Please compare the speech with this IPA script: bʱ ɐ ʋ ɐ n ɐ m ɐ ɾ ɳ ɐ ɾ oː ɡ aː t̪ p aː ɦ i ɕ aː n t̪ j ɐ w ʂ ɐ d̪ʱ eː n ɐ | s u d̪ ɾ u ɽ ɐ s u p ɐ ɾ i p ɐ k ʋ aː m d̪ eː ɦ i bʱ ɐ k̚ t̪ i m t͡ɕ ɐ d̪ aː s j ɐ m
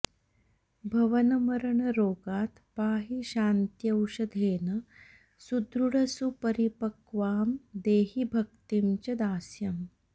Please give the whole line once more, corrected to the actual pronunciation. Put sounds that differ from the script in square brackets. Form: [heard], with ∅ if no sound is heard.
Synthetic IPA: bʱ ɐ ʋ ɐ n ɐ m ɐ ɾ ɳ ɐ ɾ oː ɡ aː t̪ p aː ɦ i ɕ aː n t̪ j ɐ w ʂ ɐ d̪ʱ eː n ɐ | s u d̪ ɾ u ɽ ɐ s u p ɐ ɾ i p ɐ k ʋ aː m d̪ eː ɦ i bʱ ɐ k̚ t̪ i m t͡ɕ ɐ d̪ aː s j ɐ m

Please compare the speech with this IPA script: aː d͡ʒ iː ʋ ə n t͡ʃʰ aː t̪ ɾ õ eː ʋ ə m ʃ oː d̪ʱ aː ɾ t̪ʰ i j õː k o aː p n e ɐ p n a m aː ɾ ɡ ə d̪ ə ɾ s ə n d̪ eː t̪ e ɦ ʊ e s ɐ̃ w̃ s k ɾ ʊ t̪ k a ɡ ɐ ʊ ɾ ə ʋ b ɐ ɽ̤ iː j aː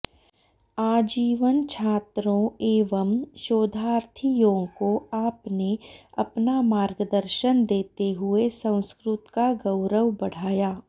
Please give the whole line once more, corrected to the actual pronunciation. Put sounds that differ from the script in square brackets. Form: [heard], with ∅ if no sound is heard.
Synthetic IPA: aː d͡ʒ iː ʋ ə n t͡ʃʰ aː t̪ ɾ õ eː ʋ ə m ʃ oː d̪ʱ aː ɾ t̪ʰ i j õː k o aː p n e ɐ p n a m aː ɾ ɡ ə d̪ ə ɾ [ʃ] ə n d̪ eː t̪ e ɦ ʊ e s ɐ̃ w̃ s k ɾ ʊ t̪ k a ɡ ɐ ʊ ɾ ə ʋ b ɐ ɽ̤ [aː] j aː

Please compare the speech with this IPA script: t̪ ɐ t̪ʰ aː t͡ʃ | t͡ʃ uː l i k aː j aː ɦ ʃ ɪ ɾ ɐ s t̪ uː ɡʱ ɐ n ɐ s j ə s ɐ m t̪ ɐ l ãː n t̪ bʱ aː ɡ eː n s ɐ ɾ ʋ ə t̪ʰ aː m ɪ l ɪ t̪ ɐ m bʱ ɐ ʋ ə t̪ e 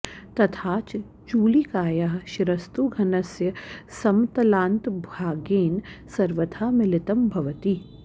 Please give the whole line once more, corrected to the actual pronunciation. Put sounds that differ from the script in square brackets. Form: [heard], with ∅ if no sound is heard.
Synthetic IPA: t̪ ɐ t̪ʰ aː t͡ʃ | t͡ʃ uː l i k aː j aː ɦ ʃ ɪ ɾ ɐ s t̪ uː ɡʱ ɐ n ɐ s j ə s ɐ m t̪ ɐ l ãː n t̪ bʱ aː ɡ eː n s ɐ ɾ ʋ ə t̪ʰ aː m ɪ l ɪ t̪ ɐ m bʱ ɐ ʋ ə t̪ [i]

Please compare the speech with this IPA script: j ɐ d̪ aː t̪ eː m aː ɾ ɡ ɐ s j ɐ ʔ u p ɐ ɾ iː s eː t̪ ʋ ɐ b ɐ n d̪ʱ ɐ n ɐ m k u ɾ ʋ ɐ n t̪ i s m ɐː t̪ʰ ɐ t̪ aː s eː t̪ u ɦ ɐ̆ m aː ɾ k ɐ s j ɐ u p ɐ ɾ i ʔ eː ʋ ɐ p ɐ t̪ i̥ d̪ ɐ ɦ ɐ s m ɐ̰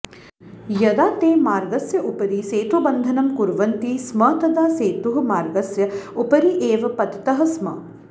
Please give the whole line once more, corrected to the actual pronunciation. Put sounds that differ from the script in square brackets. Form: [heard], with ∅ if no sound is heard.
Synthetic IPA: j ɐ d̪ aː t̪ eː m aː ɾ ɡ ɐ s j ɐ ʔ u p ɐ ɾ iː s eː t̪ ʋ ɐ b ɐ n d̪ʱ ɐ n ɐ m k u ɾ ʋ ɐ n t̪ i s m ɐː [t̪] ɐ [d̪] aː s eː t̪ u ɦ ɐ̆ m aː ɾ [ɡ] ɐ s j ɐ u p ɐ ɾ i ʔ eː ʋ ɐ p ɐ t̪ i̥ [t̪] ɐ ɦ ɐ s m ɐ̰

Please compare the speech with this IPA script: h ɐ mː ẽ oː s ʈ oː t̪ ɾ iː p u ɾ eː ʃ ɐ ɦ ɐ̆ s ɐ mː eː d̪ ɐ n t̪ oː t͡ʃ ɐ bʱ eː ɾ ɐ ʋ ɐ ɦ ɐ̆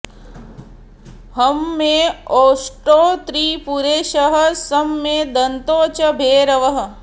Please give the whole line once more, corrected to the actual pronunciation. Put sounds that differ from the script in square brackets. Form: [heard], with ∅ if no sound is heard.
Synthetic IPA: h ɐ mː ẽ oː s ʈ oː t̪ ɾ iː p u ɾ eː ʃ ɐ ɦ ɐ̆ s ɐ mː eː d̪ ɐ n t̪ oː t͡ʃ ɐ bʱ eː ɾ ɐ ʋ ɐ ɦ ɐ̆

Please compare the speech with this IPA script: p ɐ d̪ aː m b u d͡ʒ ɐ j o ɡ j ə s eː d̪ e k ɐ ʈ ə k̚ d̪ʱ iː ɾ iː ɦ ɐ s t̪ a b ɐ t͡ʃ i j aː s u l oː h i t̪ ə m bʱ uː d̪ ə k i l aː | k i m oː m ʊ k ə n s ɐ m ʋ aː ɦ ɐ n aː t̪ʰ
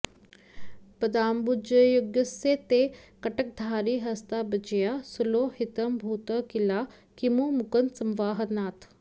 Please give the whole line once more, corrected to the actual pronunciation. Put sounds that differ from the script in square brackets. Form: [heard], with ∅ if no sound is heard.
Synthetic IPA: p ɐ d̪ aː m b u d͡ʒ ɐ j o ɡ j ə s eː [t̪] e k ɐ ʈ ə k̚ d̪ʱ [aː] ɾ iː ɦ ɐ s t̪ a b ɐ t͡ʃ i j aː s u l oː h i t̪ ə m bʱ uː [t̪] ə k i l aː | k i m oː m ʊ k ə n s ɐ m ʋ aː ɦ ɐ n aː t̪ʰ

